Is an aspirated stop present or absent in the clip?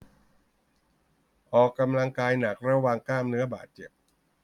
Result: absent